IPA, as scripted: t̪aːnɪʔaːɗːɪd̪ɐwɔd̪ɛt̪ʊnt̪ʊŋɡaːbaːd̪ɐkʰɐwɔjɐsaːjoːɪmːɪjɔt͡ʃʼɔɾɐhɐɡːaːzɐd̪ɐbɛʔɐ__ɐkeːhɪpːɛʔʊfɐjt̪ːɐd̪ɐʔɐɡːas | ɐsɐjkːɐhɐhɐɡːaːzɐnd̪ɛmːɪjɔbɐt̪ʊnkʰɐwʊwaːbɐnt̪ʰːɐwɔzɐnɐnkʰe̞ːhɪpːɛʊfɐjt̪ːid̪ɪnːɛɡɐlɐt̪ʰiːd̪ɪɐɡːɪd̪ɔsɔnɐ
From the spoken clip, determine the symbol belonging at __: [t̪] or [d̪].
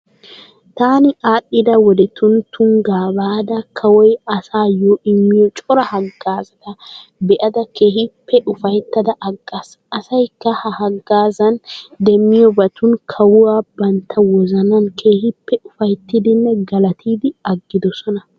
d̪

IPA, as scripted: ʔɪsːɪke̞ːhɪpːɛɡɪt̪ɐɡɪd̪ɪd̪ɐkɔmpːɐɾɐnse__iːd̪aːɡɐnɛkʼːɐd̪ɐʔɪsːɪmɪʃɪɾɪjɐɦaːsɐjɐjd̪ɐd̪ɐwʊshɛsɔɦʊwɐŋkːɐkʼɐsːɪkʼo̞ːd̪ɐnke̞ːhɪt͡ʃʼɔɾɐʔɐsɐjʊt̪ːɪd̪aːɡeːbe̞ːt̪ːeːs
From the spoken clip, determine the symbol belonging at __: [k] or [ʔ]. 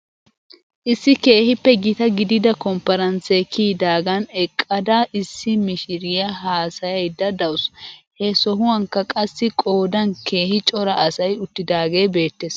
k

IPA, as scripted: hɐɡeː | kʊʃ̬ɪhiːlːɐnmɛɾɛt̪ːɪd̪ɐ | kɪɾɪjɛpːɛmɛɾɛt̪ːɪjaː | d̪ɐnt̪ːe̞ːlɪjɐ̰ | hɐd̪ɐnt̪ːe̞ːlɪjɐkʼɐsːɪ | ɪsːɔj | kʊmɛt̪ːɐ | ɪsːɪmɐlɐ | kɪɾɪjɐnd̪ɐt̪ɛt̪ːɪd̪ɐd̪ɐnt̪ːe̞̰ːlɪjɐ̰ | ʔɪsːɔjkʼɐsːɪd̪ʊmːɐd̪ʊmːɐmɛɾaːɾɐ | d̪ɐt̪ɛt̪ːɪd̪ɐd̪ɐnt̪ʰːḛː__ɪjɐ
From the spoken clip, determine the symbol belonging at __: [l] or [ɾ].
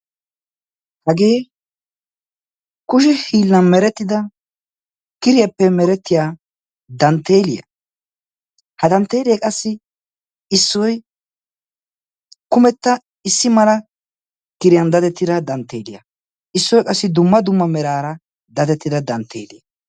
l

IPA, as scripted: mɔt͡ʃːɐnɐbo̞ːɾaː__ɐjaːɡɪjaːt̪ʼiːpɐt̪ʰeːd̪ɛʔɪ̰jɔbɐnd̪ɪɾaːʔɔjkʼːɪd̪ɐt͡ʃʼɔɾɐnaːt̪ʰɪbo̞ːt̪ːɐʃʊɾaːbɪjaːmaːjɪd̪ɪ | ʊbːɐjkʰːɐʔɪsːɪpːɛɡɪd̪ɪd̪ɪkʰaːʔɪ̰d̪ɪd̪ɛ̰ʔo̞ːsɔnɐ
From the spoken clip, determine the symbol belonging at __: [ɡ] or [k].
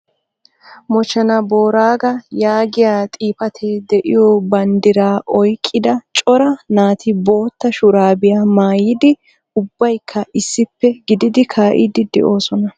ɡ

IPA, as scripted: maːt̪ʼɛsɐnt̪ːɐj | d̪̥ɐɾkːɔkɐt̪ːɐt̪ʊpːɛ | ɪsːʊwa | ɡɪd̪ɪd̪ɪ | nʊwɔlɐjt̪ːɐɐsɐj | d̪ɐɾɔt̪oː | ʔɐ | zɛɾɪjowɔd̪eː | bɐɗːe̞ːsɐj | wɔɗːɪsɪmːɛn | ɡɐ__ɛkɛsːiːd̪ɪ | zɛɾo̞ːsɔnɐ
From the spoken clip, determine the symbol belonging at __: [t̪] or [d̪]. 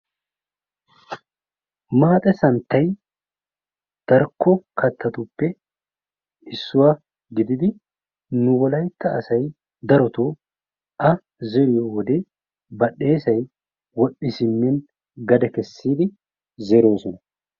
d̪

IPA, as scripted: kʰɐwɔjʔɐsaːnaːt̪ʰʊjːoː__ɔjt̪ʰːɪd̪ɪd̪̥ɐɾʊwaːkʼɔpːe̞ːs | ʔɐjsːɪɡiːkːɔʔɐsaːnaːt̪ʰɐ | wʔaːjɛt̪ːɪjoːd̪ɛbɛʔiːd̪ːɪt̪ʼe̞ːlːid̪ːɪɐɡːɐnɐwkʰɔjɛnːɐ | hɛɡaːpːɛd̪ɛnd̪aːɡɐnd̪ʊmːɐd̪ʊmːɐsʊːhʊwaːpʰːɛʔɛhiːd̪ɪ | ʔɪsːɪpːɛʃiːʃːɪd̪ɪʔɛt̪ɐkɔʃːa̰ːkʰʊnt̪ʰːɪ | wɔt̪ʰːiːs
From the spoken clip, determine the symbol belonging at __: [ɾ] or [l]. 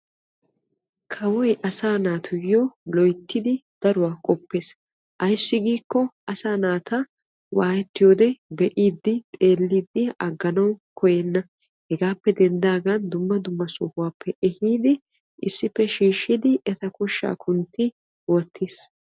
l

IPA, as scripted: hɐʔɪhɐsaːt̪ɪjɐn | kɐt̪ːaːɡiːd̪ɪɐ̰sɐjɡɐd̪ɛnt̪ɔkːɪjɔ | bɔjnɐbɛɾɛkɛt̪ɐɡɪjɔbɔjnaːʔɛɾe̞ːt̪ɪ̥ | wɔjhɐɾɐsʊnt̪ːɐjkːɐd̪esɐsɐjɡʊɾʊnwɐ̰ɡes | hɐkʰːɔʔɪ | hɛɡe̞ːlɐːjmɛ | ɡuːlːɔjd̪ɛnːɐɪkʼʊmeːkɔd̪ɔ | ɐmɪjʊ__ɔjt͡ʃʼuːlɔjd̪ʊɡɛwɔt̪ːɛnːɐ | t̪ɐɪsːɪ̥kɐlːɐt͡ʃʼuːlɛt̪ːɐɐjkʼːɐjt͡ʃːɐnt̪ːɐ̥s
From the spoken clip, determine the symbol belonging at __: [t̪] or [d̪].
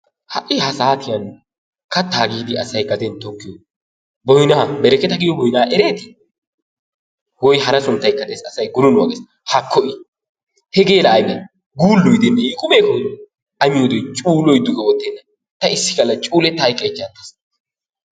d̪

